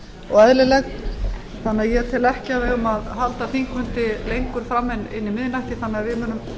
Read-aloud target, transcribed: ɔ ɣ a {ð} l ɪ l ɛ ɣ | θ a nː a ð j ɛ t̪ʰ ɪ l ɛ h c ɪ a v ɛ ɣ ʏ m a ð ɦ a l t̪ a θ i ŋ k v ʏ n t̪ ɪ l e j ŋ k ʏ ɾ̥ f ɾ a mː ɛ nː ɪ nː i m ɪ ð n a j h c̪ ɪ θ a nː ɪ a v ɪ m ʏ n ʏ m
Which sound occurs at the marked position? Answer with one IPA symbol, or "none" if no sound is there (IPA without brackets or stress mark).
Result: ð